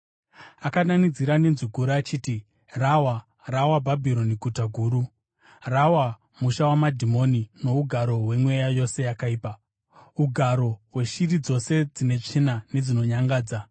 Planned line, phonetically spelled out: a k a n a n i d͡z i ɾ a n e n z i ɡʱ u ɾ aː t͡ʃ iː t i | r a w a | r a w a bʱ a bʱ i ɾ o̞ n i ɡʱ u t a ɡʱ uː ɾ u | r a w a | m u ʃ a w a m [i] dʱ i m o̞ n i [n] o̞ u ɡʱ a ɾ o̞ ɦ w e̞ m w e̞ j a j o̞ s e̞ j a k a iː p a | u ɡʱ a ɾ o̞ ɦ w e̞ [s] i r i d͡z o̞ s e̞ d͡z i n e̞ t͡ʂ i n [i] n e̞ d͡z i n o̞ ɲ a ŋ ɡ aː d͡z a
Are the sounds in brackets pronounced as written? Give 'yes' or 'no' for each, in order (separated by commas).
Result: no, yes, no, no